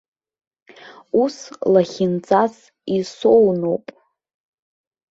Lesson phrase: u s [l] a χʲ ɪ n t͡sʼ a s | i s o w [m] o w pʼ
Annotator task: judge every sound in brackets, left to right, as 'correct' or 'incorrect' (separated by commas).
correct, incorrect